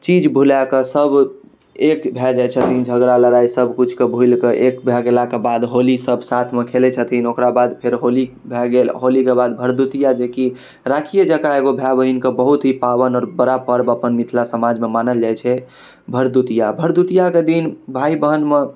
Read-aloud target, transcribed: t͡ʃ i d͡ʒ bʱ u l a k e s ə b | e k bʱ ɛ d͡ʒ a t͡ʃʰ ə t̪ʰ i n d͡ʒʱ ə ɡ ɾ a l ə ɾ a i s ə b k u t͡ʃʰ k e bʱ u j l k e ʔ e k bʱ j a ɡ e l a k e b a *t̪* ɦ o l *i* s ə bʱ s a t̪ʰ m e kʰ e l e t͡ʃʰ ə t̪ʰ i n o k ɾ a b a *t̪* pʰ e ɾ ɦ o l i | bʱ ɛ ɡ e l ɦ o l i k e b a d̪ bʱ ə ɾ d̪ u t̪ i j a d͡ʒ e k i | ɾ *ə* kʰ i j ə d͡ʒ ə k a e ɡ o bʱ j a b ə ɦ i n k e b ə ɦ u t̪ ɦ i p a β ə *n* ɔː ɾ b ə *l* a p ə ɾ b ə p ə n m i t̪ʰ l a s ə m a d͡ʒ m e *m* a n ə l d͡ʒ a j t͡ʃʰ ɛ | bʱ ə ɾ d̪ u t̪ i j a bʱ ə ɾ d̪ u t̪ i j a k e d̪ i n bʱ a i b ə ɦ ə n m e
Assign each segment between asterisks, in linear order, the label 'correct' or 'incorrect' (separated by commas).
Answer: incorrect, correct, incorrect, incorrect, correct, incorrect, correct